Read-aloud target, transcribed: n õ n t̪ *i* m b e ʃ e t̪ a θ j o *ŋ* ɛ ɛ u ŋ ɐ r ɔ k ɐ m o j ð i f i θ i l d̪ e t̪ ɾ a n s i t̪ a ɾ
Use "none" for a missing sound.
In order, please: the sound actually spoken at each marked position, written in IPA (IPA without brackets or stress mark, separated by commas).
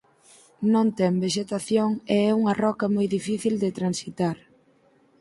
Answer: ɛ, ŋ